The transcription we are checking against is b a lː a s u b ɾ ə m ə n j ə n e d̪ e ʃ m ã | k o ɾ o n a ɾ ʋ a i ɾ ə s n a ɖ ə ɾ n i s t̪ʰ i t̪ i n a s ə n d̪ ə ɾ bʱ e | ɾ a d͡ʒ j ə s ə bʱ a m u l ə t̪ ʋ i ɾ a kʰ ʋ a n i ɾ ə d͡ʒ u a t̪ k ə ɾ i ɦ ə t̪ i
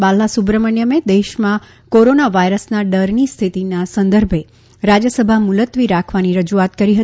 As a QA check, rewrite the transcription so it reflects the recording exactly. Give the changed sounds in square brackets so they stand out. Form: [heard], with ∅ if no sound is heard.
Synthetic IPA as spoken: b a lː a s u b ɾ ə m ə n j ə [m] e d̪ e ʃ m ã | k o ɾ o n a [∅] ʋ a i ɾ ə s n a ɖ ə ɾ n i s t̪ʰ i t̪ i n a s ə n d̪ ə ɾ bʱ e | ɾ a d͡ʒ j ə s ə bʱ a m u l ə t̪ ʋ i ɾ a kʰ ʋ a n i ɾ ə d͡ʒ u a t̪ k ə ɾ i ɦ ə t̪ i